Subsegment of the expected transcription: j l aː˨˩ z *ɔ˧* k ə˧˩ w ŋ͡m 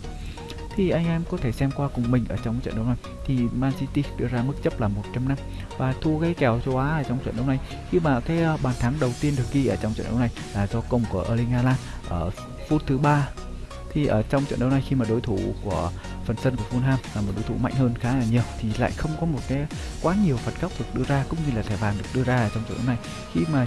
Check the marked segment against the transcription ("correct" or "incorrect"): correct